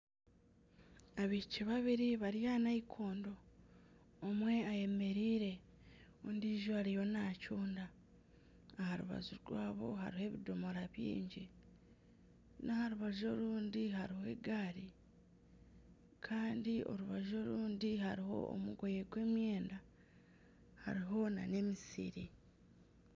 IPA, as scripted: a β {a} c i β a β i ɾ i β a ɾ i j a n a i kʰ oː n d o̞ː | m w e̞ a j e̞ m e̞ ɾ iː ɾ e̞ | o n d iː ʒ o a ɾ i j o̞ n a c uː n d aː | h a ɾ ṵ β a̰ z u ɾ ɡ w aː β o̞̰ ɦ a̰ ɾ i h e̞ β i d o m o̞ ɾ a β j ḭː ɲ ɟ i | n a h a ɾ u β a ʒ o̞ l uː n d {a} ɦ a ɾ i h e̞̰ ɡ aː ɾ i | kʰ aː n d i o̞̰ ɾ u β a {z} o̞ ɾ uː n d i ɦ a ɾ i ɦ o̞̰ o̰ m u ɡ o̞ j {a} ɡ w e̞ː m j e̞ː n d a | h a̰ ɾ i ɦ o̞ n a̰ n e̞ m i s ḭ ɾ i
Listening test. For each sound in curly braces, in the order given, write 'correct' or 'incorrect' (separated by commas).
incorrect, incorrect, incorrect, incorrect